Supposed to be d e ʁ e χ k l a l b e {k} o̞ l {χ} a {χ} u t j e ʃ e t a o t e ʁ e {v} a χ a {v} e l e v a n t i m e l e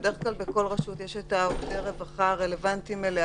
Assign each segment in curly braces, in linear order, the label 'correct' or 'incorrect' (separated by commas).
correct, incorrect, incorrect, correct, incorrect